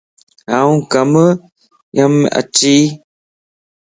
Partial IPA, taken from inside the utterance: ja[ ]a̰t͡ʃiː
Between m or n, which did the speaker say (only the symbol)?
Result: m